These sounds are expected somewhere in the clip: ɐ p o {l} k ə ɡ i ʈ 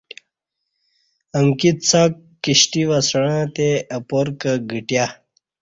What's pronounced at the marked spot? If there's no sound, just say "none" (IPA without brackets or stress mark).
ɾ